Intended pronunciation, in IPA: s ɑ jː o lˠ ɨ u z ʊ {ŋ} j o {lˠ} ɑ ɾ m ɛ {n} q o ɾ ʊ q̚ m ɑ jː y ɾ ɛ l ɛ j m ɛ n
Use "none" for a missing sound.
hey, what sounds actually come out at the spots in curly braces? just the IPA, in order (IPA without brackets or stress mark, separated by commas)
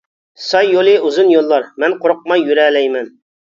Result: n, lˠː, n